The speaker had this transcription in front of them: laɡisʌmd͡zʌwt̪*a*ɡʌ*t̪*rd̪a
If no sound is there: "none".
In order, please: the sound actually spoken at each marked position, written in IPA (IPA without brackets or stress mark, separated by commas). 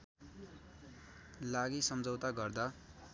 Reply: a, none